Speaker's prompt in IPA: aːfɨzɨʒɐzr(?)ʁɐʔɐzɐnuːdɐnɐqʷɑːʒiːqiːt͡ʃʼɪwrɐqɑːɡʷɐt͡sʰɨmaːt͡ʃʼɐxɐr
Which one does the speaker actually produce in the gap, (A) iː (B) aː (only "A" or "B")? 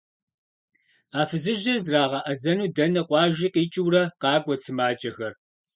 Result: B